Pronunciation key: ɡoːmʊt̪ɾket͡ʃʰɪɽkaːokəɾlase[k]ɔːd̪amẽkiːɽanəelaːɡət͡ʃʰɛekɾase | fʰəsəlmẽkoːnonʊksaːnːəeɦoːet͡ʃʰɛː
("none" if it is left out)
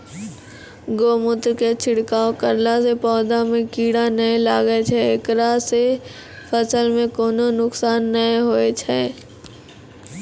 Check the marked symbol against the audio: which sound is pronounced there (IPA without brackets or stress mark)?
p